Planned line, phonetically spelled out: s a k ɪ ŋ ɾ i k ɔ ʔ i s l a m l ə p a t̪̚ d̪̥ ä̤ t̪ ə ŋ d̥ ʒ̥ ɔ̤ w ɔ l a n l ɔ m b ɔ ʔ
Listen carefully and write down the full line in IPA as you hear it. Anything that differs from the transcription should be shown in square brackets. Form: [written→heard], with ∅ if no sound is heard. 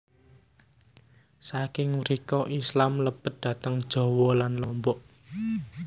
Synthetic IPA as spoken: s a k ɪ ŋ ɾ i k ɔ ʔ i s l a m l ə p [a→ə] t̪̚ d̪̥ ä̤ t̪ ə ŋ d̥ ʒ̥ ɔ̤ w ɔ l a n l ɔ m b ɔ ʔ